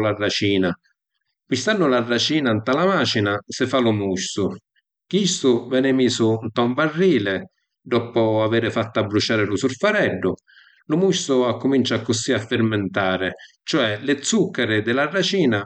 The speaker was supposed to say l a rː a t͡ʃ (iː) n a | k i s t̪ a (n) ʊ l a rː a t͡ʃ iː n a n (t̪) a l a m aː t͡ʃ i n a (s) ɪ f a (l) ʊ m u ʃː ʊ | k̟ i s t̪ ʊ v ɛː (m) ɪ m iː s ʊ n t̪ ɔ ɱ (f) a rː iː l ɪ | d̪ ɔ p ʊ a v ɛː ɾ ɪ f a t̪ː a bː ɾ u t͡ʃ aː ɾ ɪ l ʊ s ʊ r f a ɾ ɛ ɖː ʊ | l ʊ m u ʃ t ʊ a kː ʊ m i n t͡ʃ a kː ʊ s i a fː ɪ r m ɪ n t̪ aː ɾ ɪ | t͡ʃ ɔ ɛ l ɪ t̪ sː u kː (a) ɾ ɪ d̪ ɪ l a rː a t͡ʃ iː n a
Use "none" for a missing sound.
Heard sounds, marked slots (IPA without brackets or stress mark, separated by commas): iː, nː, t̪, s, l, n, v, a